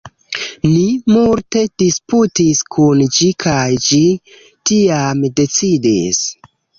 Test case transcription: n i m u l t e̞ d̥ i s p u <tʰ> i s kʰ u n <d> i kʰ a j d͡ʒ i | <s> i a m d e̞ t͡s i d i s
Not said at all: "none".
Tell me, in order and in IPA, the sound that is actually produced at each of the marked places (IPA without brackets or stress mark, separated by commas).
t, d͡ʒ, t